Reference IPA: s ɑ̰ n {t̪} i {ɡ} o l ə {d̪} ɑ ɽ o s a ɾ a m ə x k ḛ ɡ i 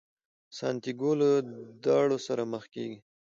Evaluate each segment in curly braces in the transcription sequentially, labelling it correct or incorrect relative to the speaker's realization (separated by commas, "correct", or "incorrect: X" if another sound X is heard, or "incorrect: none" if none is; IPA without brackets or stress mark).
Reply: correct, correct, correct